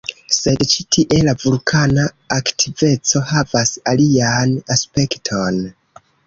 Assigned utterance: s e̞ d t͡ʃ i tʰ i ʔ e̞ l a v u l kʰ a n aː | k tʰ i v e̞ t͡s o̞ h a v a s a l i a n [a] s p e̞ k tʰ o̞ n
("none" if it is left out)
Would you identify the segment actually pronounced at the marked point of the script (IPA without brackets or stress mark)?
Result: a